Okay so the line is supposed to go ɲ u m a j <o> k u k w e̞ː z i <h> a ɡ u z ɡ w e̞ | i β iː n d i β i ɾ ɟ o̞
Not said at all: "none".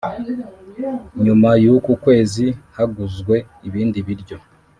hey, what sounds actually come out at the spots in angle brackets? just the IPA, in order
u, h

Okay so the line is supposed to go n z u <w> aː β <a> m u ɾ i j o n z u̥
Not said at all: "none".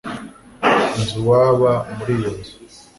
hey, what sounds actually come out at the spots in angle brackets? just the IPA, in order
w, a

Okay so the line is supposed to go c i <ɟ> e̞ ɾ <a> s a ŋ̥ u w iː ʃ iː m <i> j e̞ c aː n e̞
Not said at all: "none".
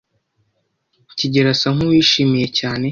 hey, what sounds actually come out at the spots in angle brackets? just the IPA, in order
ɟ, a, i

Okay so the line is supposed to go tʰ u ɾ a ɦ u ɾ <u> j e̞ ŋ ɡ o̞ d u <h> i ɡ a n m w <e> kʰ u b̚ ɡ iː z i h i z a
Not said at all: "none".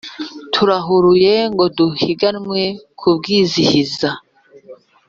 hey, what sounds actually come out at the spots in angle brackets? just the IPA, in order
u, h, e

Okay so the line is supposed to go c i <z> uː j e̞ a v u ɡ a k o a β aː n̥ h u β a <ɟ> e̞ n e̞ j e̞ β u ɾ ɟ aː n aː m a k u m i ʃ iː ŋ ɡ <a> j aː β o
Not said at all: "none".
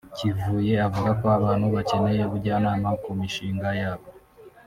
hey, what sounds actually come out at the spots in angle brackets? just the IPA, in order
v, c, a

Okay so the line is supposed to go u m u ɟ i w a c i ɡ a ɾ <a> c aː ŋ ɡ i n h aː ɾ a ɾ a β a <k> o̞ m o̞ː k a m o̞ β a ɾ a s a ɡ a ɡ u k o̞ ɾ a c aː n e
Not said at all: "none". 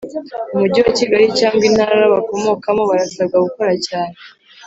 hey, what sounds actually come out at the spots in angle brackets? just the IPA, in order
i, k

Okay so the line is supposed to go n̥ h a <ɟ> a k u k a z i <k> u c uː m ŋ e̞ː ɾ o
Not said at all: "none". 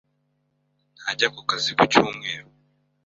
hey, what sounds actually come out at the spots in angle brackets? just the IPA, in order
ɟ, k

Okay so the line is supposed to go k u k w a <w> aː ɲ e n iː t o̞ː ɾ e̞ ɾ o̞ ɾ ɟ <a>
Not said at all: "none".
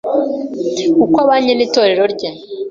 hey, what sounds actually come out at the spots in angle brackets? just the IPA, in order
β, e

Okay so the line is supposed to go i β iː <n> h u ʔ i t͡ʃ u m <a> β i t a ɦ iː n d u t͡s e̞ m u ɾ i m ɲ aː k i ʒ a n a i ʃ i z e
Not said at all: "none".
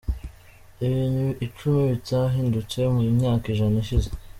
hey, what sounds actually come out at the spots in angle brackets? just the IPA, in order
n, i

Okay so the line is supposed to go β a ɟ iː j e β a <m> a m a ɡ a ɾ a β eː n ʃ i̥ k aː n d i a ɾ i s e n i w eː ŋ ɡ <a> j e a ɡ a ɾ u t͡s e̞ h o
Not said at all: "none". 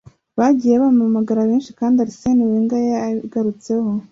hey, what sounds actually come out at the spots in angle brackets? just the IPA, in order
m, a

